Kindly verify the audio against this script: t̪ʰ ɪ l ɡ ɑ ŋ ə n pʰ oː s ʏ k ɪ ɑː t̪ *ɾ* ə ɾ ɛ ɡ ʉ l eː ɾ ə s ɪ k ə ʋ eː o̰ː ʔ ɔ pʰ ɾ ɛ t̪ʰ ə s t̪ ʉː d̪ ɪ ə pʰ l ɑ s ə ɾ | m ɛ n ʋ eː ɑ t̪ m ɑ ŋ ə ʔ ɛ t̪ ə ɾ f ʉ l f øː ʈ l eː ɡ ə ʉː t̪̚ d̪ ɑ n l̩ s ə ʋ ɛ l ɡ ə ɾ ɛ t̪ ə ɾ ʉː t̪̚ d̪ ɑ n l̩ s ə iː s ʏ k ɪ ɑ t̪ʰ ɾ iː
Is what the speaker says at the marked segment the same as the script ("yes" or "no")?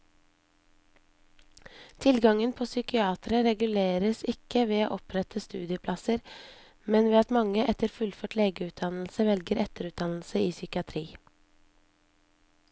yes